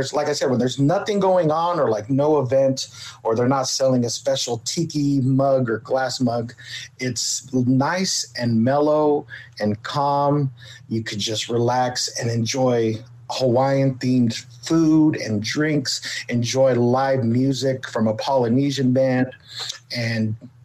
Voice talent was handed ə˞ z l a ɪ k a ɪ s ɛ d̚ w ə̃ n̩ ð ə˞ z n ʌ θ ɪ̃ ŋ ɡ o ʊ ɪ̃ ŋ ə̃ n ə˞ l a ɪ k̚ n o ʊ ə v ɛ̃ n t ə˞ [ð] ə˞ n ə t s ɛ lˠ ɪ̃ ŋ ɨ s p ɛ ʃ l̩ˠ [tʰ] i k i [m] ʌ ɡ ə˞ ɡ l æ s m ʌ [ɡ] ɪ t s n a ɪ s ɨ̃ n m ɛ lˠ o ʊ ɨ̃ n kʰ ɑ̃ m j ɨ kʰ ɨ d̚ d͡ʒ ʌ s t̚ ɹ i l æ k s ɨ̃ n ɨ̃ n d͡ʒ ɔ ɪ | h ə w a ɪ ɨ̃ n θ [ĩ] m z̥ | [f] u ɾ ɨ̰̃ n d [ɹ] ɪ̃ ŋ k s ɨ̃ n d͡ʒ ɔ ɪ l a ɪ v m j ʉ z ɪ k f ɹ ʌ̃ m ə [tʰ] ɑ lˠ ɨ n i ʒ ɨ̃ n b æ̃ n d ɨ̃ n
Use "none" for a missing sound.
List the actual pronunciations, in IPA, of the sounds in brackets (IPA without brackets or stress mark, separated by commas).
ð, tʰ, m, ɡ, ĩ, f, ɹ, pʰ